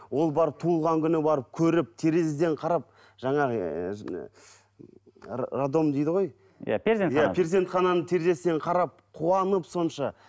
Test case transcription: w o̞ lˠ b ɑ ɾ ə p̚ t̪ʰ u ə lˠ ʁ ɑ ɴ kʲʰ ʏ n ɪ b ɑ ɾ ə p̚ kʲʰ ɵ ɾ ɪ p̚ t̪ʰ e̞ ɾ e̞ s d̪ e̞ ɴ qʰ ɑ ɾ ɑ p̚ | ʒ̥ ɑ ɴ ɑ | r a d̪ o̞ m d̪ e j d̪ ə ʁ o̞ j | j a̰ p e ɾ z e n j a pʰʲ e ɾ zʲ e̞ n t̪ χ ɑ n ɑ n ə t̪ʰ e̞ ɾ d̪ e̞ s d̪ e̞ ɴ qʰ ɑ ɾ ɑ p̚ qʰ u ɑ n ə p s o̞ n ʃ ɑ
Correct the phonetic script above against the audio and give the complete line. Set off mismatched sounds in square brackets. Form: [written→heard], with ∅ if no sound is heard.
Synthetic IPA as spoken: w o̞ lˠ b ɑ ɾ ə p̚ t̪ʰ u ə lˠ ʁ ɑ [ɴ→ŋ] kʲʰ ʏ n ɪ b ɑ ɾ ə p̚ kʲʰ ɵ ɾ ɪ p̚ t̪ʰ e̞ ɾ e̞ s d̪ e̞ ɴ qʰ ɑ ɾ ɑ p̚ | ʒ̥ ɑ ɴ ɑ | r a d̪ o̞ m d̪ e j d̪ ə ʁ o̞ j | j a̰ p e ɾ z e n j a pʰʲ e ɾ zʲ e̞ n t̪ χ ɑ n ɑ n ə t̪ʰ e̞ ɾ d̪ e̞ s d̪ e̞ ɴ qʰ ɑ ɾ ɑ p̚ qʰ u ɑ n ə p s o̞ n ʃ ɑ